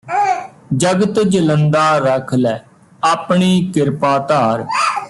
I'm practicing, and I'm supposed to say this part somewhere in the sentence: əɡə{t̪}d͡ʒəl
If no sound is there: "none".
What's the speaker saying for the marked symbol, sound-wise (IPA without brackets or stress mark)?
t̪